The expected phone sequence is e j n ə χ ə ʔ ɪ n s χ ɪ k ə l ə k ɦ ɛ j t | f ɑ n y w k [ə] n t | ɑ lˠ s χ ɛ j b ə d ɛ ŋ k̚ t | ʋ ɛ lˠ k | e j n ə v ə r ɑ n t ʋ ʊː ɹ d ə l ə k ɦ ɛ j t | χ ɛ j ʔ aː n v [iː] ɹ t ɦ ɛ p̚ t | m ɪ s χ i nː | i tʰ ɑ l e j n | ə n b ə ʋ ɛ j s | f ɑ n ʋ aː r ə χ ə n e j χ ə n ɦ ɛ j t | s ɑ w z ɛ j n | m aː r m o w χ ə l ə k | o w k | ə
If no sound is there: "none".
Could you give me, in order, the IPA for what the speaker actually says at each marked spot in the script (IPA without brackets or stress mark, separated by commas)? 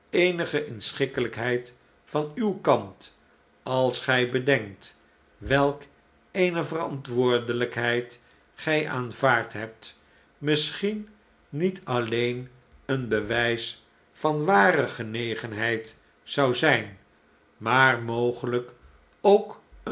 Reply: ɑ, aː